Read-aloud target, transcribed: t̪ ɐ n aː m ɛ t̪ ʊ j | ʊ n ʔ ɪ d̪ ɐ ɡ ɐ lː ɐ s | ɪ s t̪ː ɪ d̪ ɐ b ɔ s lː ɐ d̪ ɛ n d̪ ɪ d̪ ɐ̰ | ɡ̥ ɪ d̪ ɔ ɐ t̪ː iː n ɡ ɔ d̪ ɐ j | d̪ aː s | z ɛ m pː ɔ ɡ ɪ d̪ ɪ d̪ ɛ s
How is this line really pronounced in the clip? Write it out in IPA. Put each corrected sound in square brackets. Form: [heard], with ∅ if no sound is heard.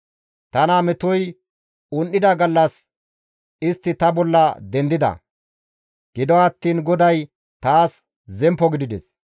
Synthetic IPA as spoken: t̪ ɐ n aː m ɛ t̪ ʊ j | ʊ n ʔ ɪ d̪ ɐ ɡ ɐ lː ɐ s | ɪ s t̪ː ɪ [t̪] ɐ b ɔ [∅] lː ɐ d̪ ɛ n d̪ ɪ d̪ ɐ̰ | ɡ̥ ɪ d̪ ɔ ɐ t̪ː iː n ɡ ɔ d̪ ɐ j | [t̪] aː s | z ɛ m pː ɔ ɡ ɪ d̪ ɪ d̪ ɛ s